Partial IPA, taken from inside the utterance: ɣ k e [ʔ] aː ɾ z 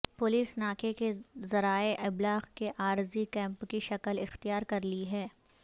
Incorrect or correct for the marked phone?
correct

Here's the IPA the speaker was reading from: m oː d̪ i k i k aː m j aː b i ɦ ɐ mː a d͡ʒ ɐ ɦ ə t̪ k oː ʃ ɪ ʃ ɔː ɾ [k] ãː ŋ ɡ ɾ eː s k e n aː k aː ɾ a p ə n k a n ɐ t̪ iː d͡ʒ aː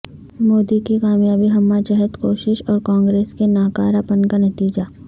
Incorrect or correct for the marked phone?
correct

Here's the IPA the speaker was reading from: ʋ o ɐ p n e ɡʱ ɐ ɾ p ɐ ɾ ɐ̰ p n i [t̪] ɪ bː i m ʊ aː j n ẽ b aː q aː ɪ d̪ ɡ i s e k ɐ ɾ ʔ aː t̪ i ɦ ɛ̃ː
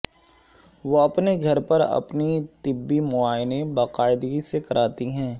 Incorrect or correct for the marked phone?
correct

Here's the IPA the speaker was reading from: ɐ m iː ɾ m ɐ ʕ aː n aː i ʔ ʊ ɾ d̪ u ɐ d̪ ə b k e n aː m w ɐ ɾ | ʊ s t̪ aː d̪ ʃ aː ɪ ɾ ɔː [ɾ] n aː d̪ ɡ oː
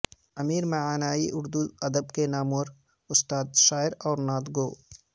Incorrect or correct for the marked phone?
correct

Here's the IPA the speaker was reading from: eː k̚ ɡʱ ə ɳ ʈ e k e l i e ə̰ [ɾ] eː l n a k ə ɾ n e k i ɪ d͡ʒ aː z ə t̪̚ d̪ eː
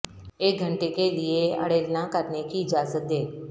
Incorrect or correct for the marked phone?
incorrect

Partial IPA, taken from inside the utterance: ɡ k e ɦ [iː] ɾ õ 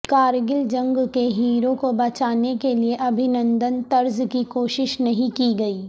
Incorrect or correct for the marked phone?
correct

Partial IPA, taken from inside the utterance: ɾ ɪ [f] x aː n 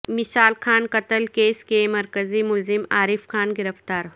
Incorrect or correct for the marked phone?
correct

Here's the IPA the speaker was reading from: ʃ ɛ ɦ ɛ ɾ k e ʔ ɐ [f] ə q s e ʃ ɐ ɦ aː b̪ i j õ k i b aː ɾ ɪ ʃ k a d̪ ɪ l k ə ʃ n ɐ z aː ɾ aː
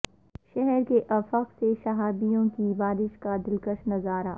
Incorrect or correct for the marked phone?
correct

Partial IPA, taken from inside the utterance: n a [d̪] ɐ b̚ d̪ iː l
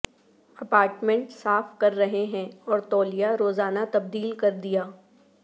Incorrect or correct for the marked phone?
incorrect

